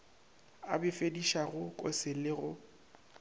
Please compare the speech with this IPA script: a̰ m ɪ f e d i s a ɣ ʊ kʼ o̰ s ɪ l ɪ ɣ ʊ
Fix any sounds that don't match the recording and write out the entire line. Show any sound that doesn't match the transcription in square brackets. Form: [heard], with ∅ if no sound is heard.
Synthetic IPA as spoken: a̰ [b] ɪ f e d i [ʃ] a ɣ ʊ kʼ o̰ s ɪ l ɪ ɣ ʊ